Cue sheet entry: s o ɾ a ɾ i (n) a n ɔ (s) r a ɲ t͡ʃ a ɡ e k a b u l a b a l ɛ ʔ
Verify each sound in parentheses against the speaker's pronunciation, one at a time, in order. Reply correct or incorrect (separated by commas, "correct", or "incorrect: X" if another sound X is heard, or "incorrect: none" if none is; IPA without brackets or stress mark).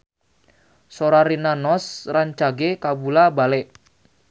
correct, correct